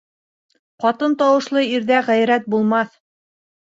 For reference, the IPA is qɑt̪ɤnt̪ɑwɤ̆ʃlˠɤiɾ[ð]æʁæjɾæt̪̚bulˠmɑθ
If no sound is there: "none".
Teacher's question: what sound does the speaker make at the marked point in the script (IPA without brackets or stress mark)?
ð